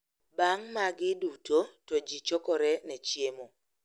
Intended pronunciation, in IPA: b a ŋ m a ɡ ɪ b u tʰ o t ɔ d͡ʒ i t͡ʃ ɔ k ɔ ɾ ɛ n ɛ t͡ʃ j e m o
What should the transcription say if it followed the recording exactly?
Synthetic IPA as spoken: b a ŋ m a ɡ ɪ d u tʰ o t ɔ d͡ʒ i t͡ʃ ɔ k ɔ ɾ ɛ n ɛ t͡ʃ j e m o